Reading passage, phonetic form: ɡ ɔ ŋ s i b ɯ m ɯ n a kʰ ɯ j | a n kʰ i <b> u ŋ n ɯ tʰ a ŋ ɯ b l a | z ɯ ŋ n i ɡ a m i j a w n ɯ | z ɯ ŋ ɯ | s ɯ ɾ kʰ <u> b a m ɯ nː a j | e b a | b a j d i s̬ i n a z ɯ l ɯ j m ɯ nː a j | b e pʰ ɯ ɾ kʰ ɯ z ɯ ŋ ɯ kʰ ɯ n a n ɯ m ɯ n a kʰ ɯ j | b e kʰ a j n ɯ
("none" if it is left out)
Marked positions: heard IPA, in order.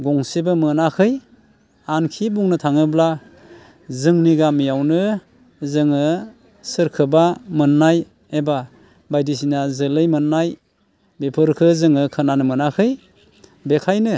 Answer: b, ɯ

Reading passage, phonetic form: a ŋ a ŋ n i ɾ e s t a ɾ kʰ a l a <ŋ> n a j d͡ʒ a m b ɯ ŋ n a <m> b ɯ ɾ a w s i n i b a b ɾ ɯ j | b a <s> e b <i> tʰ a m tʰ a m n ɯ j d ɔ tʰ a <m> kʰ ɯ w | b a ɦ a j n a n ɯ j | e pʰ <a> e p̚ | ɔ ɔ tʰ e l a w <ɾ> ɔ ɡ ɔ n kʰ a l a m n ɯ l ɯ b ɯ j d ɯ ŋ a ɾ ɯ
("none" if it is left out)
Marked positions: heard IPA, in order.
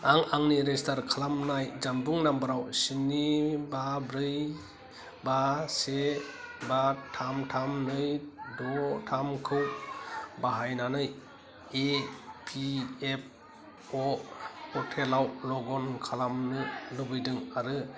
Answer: m, m, s, a, m, i, l

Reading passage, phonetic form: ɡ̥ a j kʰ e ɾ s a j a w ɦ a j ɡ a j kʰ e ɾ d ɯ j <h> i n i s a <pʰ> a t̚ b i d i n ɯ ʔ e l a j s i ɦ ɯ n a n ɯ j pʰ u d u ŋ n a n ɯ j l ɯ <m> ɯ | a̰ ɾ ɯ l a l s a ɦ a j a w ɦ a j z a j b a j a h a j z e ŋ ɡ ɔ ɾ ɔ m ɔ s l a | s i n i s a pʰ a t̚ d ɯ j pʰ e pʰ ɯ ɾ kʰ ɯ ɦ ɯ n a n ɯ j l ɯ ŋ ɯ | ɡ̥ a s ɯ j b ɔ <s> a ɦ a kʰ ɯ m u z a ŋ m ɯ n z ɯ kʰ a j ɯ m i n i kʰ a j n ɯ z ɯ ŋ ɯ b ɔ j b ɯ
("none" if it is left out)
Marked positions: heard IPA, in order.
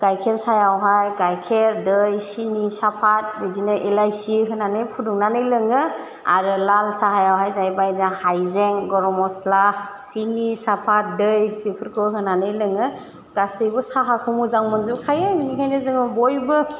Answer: s, pʰ, ŋ, s

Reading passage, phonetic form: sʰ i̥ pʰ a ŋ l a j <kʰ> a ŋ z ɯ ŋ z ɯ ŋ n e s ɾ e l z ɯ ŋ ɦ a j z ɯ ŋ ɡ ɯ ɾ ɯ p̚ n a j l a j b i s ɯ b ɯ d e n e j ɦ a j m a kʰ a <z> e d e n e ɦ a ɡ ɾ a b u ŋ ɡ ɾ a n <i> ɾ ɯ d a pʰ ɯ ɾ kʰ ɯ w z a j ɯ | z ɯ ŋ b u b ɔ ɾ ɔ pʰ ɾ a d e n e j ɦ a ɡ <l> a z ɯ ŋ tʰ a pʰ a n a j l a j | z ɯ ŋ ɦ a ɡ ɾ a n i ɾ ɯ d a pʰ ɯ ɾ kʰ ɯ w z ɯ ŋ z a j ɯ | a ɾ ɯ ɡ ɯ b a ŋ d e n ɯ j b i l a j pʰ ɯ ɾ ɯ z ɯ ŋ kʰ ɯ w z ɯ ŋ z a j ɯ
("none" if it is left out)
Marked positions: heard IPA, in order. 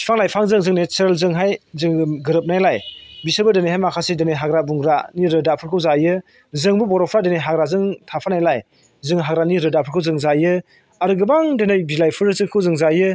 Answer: pʰ, s, i, ɾ

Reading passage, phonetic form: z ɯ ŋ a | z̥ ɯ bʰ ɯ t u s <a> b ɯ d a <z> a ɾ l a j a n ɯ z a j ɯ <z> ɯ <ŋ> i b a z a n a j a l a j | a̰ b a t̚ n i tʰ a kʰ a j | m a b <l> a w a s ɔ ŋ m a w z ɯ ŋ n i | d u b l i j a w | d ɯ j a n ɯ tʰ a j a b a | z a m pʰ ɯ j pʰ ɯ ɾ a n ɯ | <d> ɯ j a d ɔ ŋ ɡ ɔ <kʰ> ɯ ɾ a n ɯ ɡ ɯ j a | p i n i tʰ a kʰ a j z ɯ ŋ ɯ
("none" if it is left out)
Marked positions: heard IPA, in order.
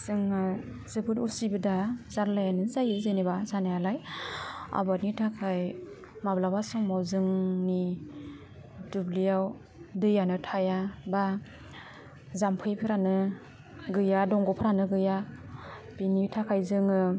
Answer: i, z, z, n, l, ɡ, pʰ

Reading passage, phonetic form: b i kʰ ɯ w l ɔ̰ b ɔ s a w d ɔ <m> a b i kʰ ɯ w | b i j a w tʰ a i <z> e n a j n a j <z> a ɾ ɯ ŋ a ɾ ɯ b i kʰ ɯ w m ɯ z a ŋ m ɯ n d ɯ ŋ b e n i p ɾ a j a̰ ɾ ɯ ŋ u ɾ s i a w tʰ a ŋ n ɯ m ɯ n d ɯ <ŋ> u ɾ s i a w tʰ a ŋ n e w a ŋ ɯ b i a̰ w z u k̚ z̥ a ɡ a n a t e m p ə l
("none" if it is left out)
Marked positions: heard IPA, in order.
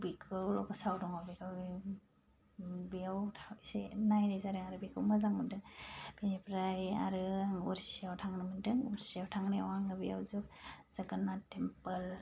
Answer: ŋ, s, z, ŋ

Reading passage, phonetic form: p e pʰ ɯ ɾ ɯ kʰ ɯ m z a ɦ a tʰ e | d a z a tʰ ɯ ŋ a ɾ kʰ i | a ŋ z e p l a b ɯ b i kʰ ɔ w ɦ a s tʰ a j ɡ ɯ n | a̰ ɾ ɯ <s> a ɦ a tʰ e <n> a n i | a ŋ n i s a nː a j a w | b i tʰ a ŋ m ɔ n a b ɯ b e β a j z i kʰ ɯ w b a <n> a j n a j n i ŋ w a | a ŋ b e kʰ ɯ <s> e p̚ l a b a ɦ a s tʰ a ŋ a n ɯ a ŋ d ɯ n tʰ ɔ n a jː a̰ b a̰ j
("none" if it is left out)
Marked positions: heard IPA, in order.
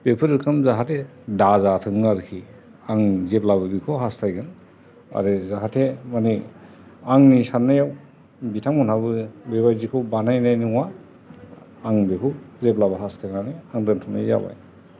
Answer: z, m, n, z

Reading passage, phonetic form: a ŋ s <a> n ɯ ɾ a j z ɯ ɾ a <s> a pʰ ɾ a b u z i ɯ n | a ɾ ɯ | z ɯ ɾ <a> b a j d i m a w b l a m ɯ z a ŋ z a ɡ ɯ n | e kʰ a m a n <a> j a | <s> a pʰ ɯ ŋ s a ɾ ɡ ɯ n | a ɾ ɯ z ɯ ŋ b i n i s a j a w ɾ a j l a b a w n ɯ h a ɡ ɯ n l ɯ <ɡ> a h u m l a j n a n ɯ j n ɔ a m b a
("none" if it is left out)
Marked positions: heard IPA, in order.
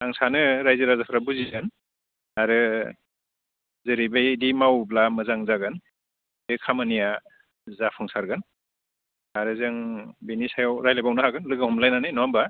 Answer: a, z, i, i, z, ɡ

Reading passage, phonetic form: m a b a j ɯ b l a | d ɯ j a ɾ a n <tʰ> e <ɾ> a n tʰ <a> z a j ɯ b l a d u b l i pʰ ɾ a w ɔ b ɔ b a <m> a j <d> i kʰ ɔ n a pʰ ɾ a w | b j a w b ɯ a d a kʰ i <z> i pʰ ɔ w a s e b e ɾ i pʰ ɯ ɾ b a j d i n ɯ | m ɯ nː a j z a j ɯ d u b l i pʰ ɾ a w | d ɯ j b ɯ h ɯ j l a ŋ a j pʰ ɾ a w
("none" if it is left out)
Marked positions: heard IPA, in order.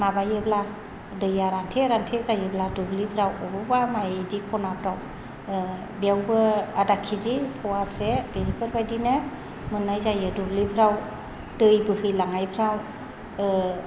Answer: tʰ, ɾ, e, m, d, z

